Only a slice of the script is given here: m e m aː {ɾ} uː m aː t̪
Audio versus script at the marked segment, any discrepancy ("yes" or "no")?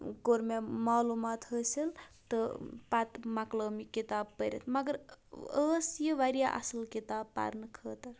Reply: yes